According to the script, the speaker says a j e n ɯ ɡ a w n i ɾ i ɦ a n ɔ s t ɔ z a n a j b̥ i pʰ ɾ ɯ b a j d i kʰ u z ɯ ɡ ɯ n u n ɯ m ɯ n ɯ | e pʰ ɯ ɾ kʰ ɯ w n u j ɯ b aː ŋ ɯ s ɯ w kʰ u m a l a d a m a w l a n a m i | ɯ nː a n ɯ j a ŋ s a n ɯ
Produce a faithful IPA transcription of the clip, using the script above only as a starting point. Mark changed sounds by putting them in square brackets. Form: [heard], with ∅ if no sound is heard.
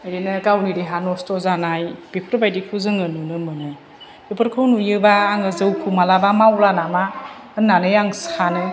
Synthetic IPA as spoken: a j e n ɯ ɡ a w n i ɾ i ɦ a n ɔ s t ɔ z a n a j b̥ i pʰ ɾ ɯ b a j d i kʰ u z ɯ [ŋ] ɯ n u n ɯ m ɯ n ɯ | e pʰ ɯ ɾ kʰ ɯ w n u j ɯ b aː ŋ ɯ [z] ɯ w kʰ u m a l a [b] a m a w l a n a m [a] | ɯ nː a n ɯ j a ŋ s a n ɯ